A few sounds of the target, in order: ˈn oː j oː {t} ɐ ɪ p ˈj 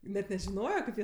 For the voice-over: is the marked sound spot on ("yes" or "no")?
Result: no